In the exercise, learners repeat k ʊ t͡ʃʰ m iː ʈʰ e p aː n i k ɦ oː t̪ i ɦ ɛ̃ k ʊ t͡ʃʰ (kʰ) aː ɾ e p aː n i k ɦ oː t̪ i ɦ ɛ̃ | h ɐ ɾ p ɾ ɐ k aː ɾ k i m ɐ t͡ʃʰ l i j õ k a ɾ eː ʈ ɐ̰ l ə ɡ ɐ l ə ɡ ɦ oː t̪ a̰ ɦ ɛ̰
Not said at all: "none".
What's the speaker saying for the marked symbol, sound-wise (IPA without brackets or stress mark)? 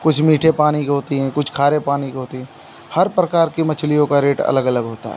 kʰ